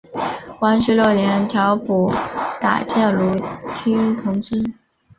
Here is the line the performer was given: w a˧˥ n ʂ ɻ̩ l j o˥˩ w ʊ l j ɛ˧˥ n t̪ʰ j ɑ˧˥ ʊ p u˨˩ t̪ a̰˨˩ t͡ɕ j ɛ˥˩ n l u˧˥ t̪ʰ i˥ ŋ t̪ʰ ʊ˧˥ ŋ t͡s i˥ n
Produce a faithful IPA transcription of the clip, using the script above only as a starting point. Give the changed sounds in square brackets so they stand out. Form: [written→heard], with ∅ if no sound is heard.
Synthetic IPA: w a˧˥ n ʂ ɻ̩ l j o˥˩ [w→∅] ʊ l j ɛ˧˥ n t̪ʰ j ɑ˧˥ ʊ p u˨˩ t̪ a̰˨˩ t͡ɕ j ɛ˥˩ n l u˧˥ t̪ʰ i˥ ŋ t̪ʰ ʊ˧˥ ŋ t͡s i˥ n